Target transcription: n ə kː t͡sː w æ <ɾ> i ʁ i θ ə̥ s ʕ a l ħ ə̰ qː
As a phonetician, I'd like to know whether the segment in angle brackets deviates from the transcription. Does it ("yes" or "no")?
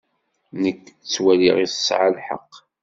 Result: yes